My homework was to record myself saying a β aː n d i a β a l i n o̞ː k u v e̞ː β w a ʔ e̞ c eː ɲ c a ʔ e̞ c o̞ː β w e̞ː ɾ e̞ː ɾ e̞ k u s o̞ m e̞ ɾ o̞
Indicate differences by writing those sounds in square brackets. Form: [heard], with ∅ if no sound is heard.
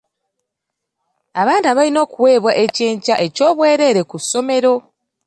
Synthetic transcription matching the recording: a β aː n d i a β a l i n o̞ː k u [w] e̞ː β w a ʔ e̞ c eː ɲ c a ʔ e̞ c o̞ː β w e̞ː ɾ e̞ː ɾ e̞ k u s o̞ m e̞ ɾ o̞